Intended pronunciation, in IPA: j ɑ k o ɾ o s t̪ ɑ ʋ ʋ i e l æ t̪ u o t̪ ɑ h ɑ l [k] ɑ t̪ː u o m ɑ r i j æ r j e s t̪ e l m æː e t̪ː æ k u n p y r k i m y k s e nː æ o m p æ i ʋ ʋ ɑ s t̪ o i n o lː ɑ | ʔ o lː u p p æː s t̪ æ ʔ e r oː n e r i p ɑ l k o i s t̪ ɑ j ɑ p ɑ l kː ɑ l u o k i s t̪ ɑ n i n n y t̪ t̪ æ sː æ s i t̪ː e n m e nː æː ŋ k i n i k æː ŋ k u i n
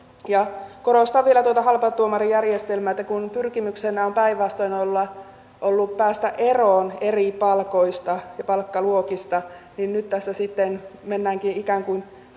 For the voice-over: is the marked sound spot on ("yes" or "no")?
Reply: no